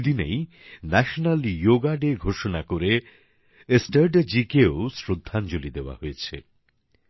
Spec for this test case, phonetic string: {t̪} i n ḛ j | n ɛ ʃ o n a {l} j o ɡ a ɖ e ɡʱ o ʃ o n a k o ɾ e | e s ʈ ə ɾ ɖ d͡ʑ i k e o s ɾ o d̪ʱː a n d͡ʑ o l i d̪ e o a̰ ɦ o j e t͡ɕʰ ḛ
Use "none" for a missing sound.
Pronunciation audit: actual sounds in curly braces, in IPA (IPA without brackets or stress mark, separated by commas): d̪, l